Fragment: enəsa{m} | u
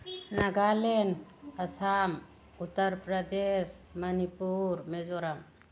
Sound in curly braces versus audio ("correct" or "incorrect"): correct